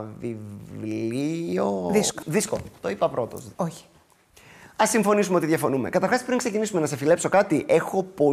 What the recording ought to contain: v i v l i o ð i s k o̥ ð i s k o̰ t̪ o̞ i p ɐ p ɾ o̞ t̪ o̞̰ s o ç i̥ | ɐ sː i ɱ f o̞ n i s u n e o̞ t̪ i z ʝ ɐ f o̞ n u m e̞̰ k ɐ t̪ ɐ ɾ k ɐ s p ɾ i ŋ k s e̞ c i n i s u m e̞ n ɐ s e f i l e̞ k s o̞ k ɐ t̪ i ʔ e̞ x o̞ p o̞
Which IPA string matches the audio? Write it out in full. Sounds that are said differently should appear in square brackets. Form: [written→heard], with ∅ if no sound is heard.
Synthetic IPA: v i v l i o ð i s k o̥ ð i s k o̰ t̪ o̞ i p ɐ p ɾ o̞ t̪ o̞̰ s o ç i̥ | ɐ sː i ɱ f o̞ n i s u [n→m] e o̞ t̪ i [z→ð] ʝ ɐ f o̞ n u m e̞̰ k ɐ t̪ ɐ ɾ [k→x] ɐ s p ɾ i ŋ k s e̞ c i n i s u m e̞ n ɐ s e f i l e̞ [k→p] s o̞ k ɐ t̪ i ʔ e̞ x o̞ p o̞